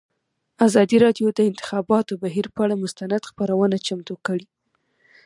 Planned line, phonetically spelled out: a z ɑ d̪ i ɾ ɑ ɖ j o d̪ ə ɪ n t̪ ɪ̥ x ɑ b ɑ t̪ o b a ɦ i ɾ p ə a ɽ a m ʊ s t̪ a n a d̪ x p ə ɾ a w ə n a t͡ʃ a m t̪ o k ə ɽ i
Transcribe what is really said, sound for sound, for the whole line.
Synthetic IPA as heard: a z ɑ d̪ i ɾ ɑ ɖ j o d̪ ə ɪ n t̪ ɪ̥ x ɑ b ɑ t̪ o b a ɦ i ɾ p ə a ɽ a m ʊ s t̪ a n a d̪ x p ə ɾ a w ə n a t͡ʃ a m t̪ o k ə ɽ i